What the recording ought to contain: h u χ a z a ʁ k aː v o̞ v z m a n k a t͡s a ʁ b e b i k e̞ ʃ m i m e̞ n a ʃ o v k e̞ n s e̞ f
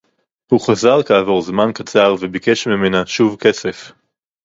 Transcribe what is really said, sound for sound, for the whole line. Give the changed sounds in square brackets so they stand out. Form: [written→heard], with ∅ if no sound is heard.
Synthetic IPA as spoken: h u χ a z a ʁ k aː v o̞ [v→ʁ] z m a n k a t͡s a ʁ [b→v] e b i k e̞ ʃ m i m e̞ n a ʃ [o→u] v k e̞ [n→∅] s e̞ f